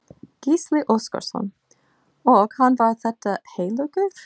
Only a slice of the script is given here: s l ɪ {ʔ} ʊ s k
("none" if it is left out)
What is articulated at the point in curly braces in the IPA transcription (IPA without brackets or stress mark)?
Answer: ʔ